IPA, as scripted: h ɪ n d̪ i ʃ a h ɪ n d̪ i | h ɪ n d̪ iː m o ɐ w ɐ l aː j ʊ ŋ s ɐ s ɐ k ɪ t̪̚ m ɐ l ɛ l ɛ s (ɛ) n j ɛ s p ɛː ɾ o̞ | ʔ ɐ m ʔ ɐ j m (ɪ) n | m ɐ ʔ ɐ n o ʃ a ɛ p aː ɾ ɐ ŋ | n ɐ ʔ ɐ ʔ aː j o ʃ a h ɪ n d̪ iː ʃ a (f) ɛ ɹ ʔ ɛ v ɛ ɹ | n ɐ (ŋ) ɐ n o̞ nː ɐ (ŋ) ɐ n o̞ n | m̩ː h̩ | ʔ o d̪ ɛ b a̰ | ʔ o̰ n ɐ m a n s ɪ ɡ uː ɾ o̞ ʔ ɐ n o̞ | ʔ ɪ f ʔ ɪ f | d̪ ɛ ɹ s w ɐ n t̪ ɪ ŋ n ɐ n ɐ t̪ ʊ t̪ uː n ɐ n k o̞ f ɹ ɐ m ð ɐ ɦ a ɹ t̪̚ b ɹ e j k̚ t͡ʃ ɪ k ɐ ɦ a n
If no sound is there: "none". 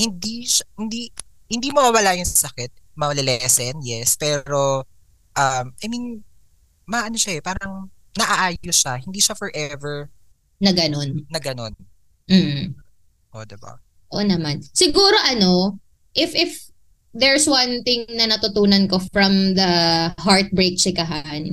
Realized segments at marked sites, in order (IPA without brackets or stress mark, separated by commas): ɛ, i, f, ɡ, ɡ